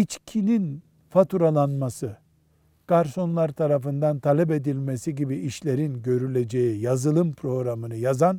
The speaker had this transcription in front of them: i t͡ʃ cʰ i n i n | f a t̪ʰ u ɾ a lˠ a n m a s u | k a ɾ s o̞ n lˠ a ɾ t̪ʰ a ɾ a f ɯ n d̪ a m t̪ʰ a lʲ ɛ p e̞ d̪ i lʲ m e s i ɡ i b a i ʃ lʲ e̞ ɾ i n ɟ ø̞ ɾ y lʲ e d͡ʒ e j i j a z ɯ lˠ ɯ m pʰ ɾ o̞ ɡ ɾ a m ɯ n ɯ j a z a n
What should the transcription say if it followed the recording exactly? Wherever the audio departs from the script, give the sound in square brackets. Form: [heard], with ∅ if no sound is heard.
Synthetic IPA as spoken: i t͡ʃ cʰ i n i n | f a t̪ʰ u ɾ a lˠ a n m a s [ɯ] | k a ɾ s o̞ n lˠ a ɾ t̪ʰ a ɾ a f ɯ n d̪ a [n] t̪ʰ a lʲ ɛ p e̞ d̪ i lʲ m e s i [ɟ] i b [i] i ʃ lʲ e̞ ɾ i n ɟ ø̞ ɾ y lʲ e d͡ʒ e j i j a z ɯ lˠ ɯ m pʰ ɾ o̞ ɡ ɾ a m ɯ n ɯ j a z a n